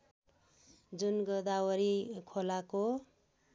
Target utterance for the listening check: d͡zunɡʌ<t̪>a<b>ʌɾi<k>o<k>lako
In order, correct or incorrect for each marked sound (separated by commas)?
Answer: incorrect, incorrect, incorrect, incorrect